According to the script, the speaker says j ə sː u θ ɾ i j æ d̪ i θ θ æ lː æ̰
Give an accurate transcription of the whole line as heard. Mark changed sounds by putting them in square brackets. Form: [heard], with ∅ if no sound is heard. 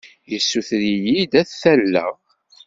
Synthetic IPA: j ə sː u θ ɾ i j [i] d̪ [æ] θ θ æ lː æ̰